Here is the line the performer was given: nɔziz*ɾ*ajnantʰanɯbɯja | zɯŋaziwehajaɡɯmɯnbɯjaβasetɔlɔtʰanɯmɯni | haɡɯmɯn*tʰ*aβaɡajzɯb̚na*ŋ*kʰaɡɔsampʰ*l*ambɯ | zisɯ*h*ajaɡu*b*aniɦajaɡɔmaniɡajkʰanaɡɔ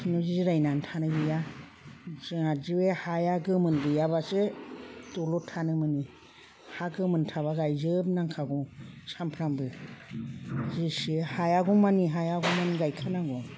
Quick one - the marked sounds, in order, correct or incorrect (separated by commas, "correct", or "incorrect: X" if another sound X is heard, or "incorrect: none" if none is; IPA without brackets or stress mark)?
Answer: correct, correct, correct, incorrect: ɾ, correct, incorrect: m